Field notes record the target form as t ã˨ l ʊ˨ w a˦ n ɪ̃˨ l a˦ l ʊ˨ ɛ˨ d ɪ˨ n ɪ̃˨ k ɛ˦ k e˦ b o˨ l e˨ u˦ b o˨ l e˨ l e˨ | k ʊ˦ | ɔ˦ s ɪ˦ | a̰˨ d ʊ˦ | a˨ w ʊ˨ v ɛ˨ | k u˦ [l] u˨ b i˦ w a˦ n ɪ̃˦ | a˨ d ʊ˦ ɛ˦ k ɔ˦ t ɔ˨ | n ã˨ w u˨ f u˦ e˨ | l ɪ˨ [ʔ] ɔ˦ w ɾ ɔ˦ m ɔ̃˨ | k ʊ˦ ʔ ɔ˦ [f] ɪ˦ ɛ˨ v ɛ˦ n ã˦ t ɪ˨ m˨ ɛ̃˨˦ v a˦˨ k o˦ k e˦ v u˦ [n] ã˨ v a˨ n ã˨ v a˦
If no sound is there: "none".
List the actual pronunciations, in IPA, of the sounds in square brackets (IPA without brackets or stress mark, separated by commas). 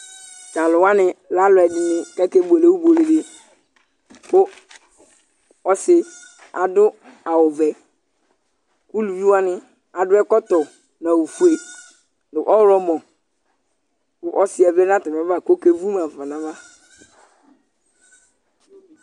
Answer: l, ʔ, s, m